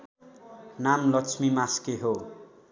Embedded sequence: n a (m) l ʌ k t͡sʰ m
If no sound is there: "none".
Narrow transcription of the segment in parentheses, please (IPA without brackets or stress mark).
m